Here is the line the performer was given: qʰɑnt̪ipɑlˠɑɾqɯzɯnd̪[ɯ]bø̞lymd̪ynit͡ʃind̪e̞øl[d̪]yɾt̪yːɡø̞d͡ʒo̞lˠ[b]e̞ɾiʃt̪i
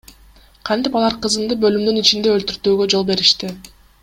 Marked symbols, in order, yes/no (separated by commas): yes, no, yes